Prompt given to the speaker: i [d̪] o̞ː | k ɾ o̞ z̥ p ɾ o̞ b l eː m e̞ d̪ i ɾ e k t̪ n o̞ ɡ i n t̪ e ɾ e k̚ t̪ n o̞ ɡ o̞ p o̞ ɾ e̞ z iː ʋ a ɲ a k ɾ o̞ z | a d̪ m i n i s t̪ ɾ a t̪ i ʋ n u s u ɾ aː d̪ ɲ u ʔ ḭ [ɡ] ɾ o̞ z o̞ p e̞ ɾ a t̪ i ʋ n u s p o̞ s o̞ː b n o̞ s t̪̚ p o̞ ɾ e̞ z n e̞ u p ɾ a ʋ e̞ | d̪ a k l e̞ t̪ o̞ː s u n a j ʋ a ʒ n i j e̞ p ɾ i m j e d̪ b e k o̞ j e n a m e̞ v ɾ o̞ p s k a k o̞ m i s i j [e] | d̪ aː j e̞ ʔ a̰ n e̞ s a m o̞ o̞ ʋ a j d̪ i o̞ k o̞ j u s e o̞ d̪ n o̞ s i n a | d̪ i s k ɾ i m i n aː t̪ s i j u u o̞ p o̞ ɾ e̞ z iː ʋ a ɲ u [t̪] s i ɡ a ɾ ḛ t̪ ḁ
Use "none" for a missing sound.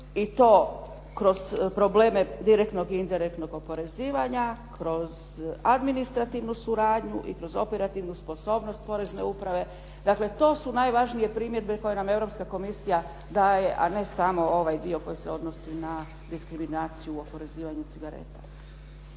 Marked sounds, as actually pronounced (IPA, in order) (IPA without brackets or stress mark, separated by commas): t̪, k, a, t̪